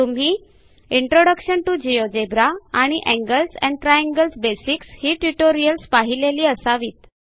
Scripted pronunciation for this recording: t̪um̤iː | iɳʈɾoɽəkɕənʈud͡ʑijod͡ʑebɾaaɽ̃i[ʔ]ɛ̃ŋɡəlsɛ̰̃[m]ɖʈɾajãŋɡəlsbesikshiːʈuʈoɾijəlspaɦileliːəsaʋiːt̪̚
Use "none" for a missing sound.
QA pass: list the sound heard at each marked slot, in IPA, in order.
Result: ʔ, ɳ

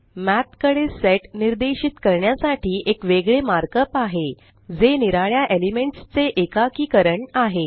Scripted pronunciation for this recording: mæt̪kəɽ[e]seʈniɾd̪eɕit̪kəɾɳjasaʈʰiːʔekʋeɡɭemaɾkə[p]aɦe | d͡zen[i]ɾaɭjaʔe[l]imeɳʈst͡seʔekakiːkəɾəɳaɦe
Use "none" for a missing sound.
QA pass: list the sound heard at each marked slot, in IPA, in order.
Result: e, p, i, l

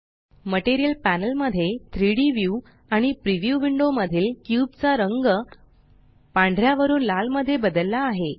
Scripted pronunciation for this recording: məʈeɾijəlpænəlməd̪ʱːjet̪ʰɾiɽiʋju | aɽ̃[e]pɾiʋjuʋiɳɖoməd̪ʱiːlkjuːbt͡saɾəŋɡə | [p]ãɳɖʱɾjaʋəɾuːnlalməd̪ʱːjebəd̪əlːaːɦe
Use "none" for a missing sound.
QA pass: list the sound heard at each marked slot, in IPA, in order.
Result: i, p

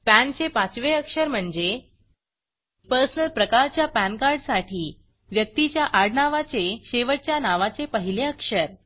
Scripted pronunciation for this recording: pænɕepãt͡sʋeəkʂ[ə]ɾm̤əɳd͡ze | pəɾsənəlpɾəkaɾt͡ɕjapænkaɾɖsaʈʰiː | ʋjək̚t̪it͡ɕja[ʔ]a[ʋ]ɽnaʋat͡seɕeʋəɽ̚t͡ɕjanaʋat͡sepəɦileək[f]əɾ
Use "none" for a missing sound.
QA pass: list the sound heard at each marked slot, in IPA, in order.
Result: ə, ʔ, none, ʂ

